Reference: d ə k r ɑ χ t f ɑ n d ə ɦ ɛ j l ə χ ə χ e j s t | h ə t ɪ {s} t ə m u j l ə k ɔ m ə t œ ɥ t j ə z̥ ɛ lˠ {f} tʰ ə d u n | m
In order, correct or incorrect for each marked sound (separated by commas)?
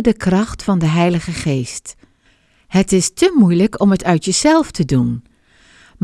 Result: correct, correct